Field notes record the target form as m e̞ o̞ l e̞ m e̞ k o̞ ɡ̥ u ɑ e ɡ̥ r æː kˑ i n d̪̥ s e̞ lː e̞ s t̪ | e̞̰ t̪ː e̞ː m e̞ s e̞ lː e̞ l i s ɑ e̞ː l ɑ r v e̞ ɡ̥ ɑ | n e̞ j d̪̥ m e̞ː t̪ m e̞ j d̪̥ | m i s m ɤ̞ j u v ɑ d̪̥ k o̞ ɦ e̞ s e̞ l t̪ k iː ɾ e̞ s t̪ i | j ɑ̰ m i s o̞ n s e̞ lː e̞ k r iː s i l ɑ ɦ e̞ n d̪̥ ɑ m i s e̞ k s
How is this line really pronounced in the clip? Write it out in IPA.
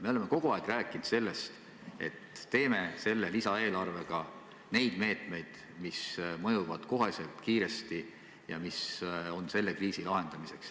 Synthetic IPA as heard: m e̞ o̞ l e̞ m e̞ k o̞ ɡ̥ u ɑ e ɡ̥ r æː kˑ i n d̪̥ s e̞ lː e̞ s t̪ | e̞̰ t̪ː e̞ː m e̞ s e̞ lː e̞ l i s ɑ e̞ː l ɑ r v e̞ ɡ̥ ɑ | n e̞ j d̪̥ m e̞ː t̪ m e̞ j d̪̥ | m i s m ɤ̞ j u v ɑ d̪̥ k o̞ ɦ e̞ s e̞ l t̪ k iː ɾ e̞ s t̪ i | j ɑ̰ m i s o̞ n s e̞ lː e̞ k r iː s i l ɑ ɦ e̞ n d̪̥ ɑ m i s e̞ k s